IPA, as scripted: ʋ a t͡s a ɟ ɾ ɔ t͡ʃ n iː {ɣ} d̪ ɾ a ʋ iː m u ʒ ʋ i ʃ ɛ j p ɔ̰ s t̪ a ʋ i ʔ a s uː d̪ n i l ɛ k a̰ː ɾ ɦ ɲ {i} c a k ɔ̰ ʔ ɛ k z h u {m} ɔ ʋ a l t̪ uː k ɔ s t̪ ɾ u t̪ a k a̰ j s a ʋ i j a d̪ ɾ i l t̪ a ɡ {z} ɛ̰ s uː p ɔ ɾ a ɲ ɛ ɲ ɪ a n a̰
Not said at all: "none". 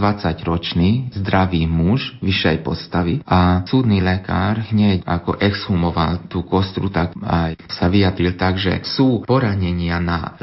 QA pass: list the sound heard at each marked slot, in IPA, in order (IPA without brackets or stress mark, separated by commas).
z, ɛ, m, ʒ